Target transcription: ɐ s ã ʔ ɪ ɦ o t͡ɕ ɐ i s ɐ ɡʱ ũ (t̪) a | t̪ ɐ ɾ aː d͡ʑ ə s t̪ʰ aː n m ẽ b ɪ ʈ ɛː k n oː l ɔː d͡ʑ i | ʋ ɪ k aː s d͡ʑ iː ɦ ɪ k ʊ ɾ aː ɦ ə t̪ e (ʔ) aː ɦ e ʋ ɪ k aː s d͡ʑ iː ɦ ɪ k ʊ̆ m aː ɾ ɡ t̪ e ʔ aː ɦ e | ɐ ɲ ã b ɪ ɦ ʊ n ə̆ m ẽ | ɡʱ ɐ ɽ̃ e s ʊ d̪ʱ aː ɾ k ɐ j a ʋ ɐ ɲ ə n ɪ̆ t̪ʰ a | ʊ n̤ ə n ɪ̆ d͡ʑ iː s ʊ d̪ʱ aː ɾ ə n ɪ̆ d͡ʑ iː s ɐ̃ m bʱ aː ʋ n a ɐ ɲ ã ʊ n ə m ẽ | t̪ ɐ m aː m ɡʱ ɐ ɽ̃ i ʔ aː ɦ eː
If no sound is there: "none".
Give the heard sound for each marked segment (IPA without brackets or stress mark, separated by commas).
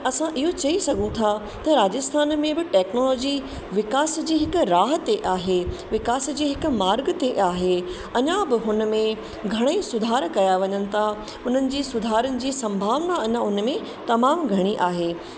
t̪ʰ, ʔ